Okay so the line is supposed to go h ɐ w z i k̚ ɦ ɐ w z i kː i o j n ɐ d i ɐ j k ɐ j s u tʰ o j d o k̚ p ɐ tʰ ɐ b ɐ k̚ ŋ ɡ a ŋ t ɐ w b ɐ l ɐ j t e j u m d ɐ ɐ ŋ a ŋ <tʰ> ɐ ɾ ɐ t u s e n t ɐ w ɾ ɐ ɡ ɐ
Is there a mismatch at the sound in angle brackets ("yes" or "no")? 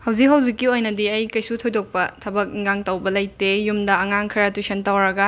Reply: yes